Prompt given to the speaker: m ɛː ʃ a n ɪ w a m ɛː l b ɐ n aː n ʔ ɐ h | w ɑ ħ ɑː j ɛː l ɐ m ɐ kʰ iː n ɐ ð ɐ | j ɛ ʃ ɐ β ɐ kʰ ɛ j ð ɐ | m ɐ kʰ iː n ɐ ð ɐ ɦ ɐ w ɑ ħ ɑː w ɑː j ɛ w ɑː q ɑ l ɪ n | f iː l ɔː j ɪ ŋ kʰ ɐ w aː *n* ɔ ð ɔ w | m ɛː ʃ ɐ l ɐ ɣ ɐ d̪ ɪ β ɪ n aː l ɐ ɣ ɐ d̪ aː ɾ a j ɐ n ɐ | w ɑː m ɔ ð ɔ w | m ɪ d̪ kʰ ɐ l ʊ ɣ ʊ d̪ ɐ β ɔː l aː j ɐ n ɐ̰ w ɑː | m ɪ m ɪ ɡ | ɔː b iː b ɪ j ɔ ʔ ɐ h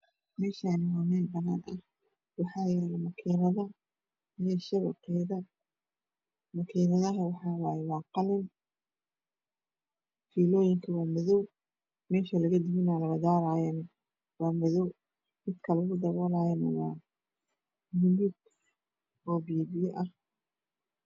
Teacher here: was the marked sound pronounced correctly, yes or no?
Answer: no